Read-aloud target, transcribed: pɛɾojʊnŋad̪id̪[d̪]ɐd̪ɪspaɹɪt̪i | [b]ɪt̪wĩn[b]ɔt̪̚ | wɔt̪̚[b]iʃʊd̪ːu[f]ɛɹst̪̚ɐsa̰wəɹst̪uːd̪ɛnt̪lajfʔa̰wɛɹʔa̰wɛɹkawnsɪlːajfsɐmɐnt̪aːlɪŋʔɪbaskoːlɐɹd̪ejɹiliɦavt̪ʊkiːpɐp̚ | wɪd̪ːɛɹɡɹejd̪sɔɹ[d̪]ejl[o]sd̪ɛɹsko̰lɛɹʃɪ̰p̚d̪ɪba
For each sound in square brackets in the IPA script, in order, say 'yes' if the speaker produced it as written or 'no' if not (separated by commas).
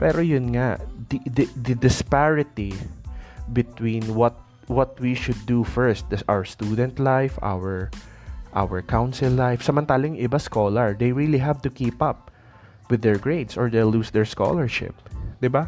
yes, yes, no, no, yes, yes, no